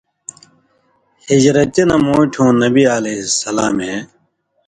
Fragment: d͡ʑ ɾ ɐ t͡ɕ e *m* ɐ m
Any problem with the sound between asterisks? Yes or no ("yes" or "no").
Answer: yes